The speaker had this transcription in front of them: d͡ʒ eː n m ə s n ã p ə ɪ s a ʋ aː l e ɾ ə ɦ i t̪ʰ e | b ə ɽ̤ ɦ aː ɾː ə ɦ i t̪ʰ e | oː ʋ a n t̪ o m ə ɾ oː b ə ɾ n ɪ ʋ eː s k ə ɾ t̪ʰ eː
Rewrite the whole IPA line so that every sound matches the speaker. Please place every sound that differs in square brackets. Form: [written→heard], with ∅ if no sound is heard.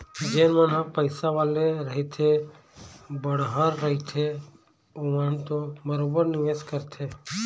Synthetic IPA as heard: d͡ʒ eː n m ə [s→∅] n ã p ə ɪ s a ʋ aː l e ɾ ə ɦ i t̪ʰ e | b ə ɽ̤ ɦ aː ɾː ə ɦ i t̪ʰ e | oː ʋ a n t̪ o m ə ɾ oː b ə ɾ n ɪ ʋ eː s k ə ɾ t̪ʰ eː

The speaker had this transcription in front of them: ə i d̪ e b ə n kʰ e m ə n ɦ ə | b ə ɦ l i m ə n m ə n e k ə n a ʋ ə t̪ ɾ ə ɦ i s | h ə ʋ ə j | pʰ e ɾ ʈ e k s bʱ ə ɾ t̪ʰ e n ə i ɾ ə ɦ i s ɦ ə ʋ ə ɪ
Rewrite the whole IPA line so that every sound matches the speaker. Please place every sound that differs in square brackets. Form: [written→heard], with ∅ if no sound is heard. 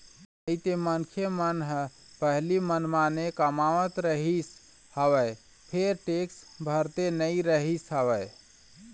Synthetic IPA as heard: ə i [d̪→t̪] e [b→m] ə n kʰ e m ə n ɦ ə | [b→p] ə ɦ l i m ə n m [ə→a] n e k ə [n→m] a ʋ ə t̪ ɾ ə ɦ i s | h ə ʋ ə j | pʰ e ɾ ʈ e k s bʱ ə ɾ [t̪ʰ→t̪] e n ə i ɾ ə ɦ i s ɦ ə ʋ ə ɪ

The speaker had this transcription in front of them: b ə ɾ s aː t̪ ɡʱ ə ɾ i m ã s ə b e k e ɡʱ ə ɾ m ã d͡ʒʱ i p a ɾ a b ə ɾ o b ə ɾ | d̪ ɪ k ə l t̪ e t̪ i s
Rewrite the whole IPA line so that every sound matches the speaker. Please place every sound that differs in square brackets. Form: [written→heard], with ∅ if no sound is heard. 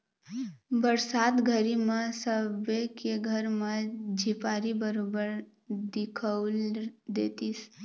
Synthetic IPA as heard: b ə ɾ s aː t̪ ɡʱ ə ɾ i m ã s ə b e k e ɡʱ ə ɾ m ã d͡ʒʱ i p a ɾ [a→i] b ə ɾ o b ə ɾ | d̪ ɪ [k→kʰ] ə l [t̪→d̪] e t̪ i s

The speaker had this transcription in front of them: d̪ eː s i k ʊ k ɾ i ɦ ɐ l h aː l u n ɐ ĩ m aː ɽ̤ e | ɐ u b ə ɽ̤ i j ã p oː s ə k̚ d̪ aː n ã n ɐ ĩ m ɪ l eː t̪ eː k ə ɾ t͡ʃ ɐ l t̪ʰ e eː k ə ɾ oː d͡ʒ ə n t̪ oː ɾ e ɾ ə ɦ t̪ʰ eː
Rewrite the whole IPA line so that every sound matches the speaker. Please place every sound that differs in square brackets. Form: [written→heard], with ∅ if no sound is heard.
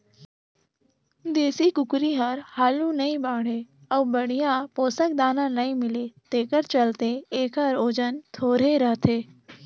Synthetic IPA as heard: d̪ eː s i k ʊ k ɾ i ɦ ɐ [l→ɾ] h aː l u n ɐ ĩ [m→b] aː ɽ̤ e | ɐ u b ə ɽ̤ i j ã p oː s ə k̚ d̪ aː n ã n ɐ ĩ m ɪ l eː t̪ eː k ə ɾ t͡ʃ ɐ l [t̪ʰ→t̪] e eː k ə ɾ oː d͡ʒ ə n [t̪→t̪ʰ] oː ɾ e ɾ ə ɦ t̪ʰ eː

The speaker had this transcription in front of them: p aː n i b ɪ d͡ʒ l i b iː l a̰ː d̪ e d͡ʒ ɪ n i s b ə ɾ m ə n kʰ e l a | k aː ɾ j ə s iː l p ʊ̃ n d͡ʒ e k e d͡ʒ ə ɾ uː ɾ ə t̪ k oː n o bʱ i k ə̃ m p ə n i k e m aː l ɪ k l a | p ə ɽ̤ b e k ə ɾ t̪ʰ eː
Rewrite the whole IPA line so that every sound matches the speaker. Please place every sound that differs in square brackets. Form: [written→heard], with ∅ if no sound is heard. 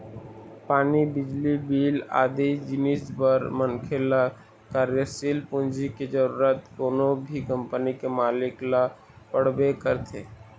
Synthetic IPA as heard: p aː n i b ɪ d͡ʒ l i b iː l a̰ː d̪ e d͡ʒ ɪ n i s b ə ɾ m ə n kʰ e l a | k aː ɾ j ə s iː l p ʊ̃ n d͡ʒ [e→i] k e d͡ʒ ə ɾ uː ɾ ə t̪ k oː n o bʱ i k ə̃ m p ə n i k e m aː l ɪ k l a | p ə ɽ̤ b e k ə ɾ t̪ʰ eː

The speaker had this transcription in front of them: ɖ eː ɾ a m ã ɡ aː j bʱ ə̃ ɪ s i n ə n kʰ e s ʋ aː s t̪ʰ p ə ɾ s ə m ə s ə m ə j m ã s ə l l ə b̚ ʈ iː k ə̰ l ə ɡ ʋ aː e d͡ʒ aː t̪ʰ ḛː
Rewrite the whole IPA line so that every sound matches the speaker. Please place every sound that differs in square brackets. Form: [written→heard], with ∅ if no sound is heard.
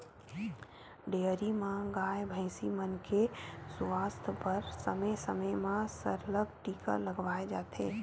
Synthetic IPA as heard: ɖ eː ɾ [a→i] m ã ɡ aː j bʱ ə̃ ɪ s i [n→m] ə n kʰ e s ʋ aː s t̪ʰ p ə ɾ s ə m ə s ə m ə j m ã s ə [l→ɾ] l ə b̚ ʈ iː k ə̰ l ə ɡ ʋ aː e d͡ʒ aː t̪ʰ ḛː

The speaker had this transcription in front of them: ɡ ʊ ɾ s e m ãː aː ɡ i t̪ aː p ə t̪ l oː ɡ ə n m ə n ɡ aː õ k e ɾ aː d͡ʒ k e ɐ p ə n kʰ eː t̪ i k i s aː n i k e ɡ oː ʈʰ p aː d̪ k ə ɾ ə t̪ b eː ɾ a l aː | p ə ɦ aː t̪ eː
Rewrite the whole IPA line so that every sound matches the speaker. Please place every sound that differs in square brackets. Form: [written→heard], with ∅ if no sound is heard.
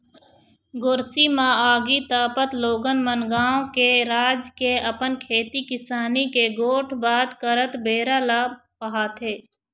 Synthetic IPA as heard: ɡ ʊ ɾ s [e→i] m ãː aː ɡ i t̪ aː p ə t̪ l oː ɡ ə n m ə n ɡ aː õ k e ɾ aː d͡ʒ k e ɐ p ə n kʰ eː t̪ i k [i→ɪ] s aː n i k e ɡ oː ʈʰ [p→b] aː d̪ k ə ɾ ə t̪ b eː ɾ a l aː | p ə ɦ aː t̪ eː

